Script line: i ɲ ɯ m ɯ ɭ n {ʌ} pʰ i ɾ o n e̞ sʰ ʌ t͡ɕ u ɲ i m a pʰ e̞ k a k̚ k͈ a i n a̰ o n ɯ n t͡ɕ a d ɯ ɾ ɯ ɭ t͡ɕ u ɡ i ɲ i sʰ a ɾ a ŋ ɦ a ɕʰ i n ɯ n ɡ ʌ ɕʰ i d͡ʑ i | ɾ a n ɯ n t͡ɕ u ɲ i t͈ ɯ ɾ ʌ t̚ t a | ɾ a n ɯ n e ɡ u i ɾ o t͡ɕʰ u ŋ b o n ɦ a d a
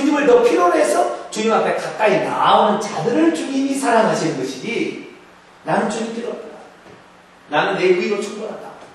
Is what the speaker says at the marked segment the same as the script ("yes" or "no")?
yes